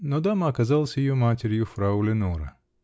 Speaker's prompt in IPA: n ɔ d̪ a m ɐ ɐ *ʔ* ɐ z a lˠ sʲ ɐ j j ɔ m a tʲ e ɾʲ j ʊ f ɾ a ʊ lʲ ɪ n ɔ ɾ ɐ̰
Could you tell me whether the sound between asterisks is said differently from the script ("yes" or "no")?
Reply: yes